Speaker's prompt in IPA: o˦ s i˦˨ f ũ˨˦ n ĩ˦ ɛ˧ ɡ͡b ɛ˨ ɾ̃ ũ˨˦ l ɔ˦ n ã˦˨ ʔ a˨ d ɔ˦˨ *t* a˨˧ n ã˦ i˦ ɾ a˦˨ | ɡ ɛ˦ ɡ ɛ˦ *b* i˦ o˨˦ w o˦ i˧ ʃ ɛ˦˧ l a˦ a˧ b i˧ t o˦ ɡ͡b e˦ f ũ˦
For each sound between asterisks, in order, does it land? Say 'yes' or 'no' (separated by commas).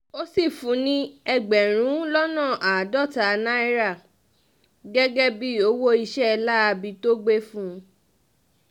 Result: yes, yes